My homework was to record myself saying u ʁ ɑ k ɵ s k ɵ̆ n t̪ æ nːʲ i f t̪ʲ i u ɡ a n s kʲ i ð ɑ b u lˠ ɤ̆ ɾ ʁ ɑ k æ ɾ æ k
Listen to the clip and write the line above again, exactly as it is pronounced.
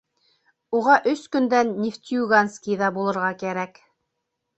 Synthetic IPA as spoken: u ʁ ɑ ʔ ɵ s k ɵ̆ n d̪ æ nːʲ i f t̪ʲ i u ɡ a n s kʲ i ð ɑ b u lˠ ɤ̆ ɾ ʁ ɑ k æ ɾ æ k